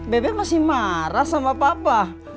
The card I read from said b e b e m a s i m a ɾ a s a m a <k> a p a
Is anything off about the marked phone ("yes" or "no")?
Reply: yes